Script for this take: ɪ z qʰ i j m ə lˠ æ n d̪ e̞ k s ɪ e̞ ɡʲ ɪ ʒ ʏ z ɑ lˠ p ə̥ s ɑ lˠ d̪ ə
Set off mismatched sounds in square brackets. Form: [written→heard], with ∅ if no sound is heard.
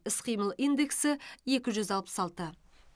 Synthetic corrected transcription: ɪ [z→s] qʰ i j m ə lˠ [æ→i] n d̪ e̞ k s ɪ e̞ [ɡʲ→kʲ] ɪ ʒ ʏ z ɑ lˠ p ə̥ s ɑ lˠ [d̪→t̪] ə

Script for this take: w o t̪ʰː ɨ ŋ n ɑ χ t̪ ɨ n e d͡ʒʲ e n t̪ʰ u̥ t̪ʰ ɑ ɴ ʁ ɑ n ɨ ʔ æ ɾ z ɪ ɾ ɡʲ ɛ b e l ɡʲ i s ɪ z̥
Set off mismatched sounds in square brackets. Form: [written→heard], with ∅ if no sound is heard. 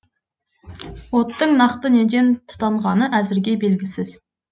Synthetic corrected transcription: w o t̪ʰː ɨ ŋ n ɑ χ t̪ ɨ n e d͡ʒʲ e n t̪ʰ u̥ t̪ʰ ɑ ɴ ʁ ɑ n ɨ ʔ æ [ɾ→∅] z ɪ ɾ ɡʲ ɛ b e l ɡʲ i s ɪ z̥

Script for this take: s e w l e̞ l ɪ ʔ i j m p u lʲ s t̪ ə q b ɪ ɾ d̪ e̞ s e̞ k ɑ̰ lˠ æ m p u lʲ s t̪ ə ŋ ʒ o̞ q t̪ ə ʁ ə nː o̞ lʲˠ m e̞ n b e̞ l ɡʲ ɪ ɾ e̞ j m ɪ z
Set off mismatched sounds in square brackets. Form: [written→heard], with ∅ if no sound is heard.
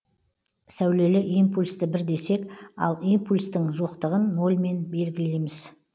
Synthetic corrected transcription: s [e→æ] w l e̞ l ɪ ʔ i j m p u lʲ s t̪ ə [q→∅] b ɪ ɾ d̪ e̞ s e̞ k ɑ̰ lˠ [æ→i] m p u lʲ s t̪ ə ŋ ʒ o̞ q t̪ ə ʁ ə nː o̞ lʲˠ m e̞ n b e̞ l ɡʲ ɪ [ɾ→l] e̞ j m ɪ z

